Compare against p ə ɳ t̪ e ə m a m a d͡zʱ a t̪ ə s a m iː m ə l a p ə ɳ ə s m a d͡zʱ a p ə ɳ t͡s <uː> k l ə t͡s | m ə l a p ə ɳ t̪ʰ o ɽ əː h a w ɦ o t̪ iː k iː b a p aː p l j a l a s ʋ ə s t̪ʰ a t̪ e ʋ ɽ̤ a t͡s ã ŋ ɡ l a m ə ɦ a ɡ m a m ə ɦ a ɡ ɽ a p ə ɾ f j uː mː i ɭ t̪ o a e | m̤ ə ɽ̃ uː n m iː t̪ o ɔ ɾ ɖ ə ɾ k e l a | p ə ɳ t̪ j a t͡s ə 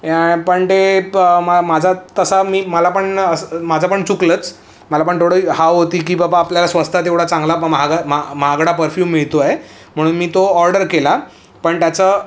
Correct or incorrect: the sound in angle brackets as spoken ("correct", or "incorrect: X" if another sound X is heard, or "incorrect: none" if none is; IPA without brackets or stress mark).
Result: incorrect: u